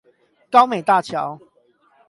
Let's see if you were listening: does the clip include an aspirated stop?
yes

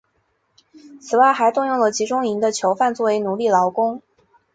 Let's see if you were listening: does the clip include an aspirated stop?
yes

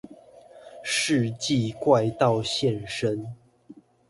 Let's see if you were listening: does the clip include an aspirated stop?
no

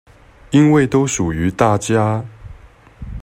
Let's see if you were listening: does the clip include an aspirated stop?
no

